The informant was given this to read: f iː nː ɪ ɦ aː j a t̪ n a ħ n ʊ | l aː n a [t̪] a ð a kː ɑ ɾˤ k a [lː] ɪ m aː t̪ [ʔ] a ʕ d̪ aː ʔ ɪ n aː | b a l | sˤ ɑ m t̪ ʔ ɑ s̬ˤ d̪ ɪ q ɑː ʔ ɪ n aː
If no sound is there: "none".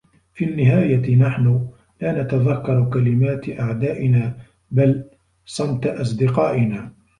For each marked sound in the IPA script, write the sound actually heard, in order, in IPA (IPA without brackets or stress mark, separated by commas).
t̪, l, ʔ